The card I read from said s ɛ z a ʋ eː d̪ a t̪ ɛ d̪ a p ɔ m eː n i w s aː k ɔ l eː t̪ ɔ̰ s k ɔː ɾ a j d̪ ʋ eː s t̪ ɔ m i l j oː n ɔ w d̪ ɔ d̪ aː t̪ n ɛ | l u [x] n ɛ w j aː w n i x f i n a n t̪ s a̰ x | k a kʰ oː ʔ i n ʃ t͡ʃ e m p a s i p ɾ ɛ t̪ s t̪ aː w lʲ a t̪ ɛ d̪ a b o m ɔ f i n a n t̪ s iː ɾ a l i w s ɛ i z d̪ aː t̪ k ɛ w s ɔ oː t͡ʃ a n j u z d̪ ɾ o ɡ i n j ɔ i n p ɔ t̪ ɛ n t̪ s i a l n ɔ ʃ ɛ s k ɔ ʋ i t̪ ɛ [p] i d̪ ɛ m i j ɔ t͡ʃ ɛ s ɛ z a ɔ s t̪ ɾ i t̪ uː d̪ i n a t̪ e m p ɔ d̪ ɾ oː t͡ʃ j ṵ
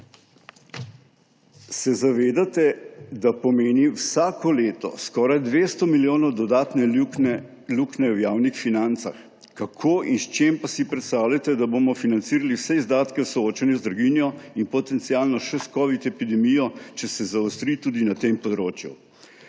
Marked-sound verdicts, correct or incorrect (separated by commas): incorrect, correct